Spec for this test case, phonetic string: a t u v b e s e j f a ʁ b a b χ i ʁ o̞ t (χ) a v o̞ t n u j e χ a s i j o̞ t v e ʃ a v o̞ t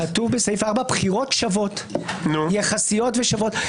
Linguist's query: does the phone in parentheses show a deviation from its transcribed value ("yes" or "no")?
yes